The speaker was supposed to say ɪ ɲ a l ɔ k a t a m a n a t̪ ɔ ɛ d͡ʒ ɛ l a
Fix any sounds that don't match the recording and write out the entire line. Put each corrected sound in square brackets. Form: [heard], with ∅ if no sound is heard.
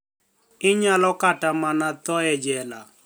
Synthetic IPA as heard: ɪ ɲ a l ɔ k a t a m a n a t̪ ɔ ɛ d͡ʒ ɛ l a

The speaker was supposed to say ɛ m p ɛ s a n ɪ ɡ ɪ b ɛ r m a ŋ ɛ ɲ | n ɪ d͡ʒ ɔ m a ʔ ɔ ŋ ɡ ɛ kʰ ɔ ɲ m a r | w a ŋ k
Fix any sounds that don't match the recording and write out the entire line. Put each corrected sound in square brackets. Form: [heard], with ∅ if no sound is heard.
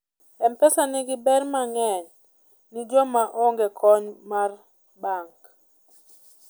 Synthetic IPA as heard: ɛ m p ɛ s a n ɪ ɡ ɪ b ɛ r m a ŋ ɛ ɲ | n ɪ d͡ʒ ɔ m a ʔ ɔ ŋ ɡ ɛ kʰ ɔ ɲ m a r | [b] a ŋ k

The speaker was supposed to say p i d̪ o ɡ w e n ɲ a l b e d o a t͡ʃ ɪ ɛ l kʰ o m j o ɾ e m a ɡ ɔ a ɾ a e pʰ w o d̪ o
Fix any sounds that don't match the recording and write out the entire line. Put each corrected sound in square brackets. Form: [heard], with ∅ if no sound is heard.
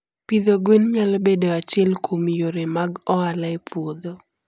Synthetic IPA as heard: p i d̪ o ɡ w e n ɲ a l b e d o a t͡ʃ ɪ ɛ l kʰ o m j o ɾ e m a ɡ ɔ a [l] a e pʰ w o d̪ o

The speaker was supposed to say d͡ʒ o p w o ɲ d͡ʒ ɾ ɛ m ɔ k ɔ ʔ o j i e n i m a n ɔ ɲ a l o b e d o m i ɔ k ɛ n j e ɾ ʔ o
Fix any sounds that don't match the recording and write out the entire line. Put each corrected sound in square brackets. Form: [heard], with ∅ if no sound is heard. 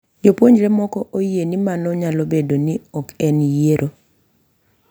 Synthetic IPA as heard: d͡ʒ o p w o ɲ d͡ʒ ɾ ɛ m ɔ k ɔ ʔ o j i e n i m a n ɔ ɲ a l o b e d o [n] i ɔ k ɛ n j e ɾ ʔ o

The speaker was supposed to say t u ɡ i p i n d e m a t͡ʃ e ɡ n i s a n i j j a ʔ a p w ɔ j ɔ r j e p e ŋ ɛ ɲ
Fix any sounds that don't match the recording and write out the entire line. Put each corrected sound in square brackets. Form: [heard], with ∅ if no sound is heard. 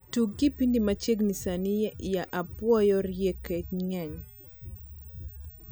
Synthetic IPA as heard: t u ɡ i p i n d [i] m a t͡ʃ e ɡ n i s a n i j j a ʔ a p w ɔ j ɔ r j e [k] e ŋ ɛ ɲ

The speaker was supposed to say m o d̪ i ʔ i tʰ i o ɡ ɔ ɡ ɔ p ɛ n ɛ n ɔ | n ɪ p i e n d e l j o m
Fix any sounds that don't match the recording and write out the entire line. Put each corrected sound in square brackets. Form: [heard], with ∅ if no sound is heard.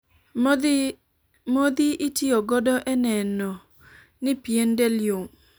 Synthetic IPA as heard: m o d̪ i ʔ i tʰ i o ɡ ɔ [d] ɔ [ʔ] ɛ n ɛ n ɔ | n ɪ p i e n d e l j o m

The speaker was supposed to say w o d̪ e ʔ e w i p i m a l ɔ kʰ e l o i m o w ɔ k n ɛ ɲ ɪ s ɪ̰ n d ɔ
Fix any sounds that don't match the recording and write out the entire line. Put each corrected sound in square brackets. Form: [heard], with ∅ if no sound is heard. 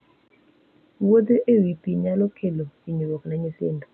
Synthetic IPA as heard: w o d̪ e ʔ e w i p i [ɲ] a l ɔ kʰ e l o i [ɲ] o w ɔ k n [a] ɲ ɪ s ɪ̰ n d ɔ

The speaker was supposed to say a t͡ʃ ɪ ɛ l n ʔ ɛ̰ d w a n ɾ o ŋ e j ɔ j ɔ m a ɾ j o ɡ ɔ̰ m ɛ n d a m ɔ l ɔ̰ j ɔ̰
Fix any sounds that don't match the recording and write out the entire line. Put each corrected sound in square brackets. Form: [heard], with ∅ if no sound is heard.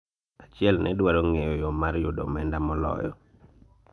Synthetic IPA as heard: a t͡ʃ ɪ ɛ l n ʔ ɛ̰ d w a [∅] ɾ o ŋ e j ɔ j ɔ m a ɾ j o [d] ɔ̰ m ɛ n d a m ɔ l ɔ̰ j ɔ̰

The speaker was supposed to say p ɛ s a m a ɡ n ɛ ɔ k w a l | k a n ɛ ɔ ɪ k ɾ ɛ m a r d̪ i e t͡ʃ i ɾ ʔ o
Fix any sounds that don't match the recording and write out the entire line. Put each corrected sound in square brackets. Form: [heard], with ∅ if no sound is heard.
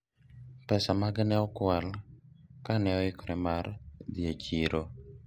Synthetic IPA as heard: p ɛ s a m a ɡ n ɛ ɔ k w a l | k a n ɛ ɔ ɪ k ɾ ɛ m a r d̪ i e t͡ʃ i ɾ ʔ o

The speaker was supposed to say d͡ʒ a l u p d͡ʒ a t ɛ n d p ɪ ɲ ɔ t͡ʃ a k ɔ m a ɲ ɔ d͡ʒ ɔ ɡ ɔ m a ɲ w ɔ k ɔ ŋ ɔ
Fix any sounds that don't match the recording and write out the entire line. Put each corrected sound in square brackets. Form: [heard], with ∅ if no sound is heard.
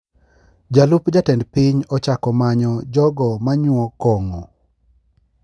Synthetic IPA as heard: d͡ʒ a l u p d͡ʒ a t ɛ n d p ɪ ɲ ɔ t͡ʃ a k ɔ m a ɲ ɔ d͡ʒ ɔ ɡ ɔ m a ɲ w ɔ k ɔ ŋ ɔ

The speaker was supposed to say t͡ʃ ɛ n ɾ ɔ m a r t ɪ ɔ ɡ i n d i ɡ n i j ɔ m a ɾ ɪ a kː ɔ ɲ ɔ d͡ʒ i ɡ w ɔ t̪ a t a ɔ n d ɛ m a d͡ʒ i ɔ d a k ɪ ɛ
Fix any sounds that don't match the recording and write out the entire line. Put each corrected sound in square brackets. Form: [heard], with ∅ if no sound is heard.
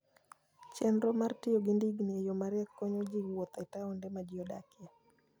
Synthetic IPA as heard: t͡ʃ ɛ n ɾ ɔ m a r t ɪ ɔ ɡ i n d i ɡ n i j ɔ m a ɾ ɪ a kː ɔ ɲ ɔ d͡ʒ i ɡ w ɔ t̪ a t a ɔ n d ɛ m a d͡ʒ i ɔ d a k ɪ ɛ

